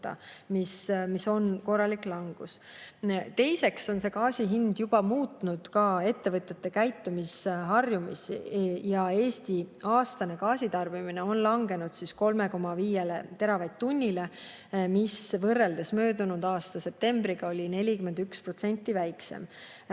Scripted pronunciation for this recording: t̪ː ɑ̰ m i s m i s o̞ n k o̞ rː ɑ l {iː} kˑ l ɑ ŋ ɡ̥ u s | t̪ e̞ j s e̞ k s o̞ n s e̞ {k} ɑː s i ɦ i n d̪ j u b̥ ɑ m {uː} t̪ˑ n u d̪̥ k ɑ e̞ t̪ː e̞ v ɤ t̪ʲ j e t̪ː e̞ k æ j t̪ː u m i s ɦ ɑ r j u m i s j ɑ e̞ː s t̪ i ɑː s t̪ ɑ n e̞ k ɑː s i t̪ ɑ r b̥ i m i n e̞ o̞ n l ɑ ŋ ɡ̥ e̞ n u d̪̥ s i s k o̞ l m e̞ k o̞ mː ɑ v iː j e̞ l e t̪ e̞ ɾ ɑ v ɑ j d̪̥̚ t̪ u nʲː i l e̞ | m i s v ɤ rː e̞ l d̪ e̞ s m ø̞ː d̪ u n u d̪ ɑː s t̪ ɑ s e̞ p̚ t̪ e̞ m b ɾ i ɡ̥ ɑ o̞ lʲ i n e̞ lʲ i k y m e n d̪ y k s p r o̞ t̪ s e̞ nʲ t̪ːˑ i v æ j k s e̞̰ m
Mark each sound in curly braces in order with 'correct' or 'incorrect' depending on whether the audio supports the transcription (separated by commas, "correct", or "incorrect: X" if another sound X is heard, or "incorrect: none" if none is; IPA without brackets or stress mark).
incorrect: i, correct, correct